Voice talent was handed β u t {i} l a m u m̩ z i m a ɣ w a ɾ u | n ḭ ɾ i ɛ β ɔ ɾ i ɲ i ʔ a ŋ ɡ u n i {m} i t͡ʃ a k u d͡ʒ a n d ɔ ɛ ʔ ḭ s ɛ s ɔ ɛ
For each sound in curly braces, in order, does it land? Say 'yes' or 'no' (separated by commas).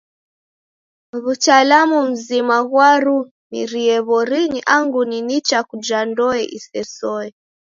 no, no